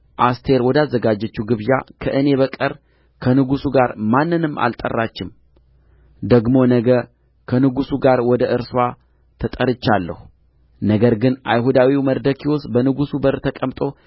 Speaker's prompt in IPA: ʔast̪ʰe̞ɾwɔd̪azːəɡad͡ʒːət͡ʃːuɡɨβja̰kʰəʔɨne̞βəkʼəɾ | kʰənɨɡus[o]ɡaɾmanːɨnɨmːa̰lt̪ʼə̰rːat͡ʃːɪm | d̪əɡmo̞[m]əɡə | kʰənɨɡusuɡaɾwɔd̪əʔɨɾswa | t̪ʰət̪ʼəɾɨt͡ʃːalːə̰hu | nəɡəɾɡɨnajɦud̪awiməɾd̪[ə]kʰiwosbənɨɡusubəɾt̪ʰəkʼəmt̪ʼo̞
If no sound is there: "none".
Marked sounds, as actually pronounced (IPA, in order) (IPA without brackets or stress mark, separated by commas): u, n, ə